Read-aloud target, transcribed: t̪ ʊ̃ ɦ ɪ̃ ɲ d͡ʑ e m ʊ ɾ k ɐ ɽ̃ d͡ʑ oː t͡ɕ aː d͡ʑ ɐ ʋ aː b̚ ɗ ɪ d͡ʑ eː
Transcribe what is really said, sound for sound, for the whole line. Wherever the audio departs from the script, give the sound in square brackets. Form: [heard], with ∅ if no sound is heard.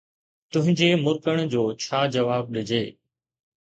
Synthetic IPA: t̪ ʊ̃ ɦ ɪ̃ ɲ d͡ʑ e m ʊ ɾ k [ə] ɽ̃ d͡ʑ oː [t͡ɕʰ] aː d͡ʑ ɐ ʋ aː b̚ ɗ ɪ d͡ʑ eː